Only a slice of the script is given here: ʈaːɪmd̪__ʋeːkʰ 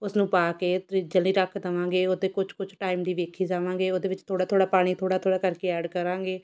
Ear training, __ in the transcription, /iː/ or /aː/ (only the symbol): iː